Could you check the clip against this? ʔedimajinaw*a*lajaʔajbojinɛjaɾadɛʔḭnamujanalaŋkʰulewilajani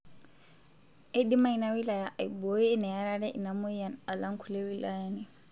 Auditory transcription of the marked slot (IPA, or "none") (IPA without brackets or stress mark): i